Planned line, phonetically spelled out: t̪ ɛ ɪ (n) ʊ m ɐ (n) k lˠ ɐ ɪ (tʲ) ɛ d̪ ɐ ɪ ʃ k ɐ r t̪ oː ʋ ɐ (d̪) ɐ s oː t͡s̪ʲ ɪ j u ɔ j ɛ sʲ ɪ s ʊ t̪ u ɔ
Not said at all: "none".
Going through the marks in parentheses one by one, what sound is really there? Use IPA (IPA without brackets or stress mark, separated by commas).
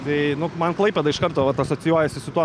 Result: n, n, pʲ, t̪